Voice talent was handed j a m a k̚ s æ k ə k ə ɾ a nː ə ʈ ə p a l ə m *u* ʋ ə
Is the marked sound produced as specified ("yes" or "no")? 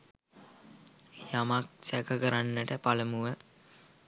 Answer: yes